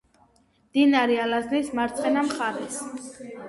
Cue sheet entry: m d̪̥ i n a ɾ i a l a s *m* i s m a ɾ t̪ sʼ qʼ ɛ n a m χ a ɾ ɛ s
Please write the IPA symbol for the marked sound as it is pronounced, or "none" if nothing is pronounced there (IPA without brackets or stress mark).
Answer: n